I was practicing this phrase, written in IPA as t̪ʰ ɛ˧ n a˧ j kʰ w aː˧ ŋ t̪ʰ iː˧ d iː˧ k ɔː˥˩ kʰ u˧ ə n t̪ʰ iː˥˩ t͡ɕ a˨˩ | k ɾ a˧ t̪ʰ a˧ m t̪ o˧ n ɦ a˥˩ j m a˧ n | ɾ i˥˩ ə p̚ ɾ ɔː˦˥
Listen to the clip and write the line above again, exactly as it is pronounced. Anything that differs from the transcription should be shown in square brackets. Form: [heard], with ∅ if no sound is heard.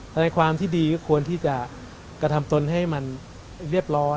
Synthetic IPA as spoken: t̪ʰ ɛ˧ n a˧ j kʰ w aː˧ [m] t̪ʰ [iː˥˩] d iː˧ k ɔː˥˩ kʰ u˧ ə n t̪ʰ iː˥˩ t͡ɕ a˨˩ | k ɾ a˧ t̪ʰ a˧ m t̪ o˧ n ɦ a˥˩ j m a˧ n | ɾ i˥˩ ə p̚ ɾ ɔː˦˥